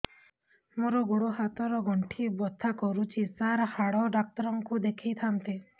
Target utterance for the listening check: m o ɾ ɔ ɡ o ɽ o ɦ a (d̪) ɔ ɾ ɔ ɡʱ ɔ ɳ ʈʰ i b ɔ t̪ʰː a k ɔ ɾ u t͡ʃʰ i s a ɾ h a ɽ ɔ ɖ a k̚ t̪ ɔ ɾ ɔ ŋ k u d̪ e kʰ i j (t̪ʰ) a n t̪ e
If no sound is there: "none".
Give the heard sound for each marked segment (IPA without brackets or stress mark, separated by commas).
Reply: t̪, t̪ʰ